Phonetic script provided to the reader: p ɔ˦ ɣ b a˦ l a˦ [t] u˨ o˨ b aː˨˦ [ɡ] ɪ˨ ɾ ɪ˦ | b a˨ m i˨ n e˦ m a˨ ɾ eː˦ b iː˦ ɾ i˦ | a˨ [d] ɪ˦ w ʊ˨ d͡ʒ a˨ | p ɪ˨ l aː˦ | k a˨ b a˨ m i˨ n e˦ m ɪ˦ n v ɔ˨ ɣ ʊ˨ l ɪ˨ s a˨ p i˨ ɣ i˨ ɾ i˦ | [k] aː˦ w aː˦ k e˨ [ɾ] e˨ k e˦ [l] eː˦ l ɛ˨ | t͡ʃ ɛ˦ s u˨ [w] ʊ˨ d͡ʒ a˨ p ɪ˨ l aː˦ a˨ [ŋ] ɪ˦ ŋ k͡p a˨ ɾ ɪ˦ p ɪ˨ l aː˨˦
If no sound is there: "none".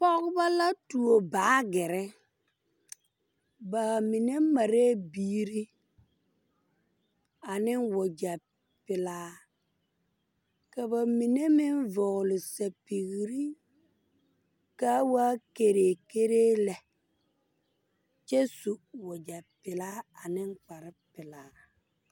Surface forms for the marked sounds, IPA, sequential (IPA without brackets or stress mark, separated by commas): t, ɡ, n, k, ɾ, ɾ, w, n